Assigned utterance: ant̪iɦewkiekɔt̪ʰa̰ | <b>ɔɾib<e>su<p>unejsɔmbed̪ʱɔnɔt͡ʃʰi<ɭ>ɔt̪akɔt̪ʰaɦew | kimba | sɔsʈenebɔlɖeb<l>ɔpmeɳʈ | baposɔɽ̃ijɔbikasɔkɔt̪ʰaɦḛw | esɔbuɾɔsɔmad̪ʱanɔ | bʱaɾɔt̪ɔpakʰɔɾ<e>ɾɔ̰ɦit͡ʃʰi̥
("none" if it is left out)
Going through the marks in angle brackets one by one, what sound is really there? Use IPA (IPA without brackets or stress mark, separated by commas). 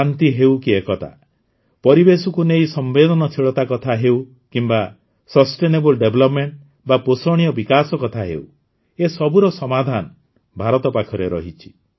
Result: p, e, k, ɭ, l, e